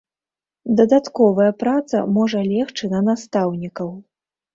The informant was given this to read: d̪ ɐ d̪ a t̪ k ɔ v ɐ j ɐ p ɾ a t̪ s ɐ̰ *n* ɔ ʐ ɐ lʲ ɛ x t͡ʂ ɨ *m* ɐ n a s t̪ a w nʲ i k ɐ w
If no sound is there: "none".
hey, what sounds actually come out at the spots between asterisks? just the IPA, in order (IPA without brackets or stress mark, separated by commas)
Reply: m, n